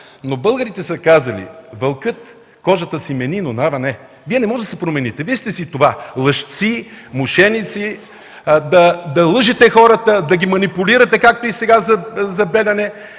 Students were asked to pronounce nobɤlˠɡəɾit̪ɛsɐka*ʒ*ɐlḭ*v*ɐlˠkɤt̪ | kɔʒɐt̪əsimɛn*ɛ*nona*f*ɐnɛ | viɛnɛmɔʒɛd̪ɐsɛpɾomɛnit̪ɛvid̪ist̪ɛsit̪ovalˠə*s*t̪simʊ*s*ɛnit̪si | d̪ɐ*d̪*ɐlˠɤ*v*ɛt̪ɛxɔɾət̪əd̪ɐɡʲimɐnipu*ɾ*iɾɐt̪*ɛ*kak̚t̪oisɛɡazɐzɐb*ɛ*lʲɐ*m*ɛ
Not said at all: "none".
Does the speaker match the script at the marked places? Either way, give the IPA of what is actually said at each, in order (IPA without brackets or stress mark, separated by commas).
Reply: z, v, i, v, ʃ, ʃ, d̪, ʒ, l, ɛ, ɛ, n